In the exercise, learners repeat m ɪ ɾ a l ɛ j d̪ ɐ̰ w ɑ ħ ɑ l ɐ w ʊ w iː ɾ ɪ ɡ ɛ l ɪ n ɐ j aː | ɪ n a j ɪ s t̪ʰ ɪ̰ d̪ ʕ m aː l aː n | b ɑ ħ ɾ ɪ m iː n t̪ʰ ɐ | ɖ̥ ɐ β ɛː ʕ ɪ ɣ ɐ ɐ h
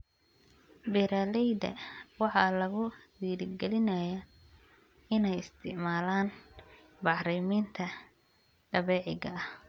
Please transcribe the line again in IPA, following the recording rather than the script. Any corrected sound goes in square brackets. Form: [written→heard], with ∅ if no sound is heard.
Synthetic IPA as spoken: [m→b] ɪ ɾ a l ɛ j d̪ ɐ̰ w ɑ ħ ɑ l ɐ [w→ɣ] ʊ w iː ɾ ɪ ɡ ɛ l ɪ n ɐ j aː | ɪ n [a→ɛ] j ɪ s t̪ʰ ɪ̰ [d̪→∅] ʕ m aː l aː n | b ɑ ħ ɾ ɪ m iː n t̪ʰ ɐ | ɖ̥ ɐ β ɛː ʕ ɪ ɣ ɐ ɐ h